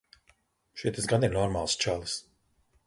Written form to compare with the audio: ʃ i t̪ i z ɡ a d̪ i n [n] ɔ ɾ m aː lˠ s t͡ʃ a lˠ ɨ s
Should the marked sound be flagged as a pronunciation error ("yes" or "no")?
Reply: no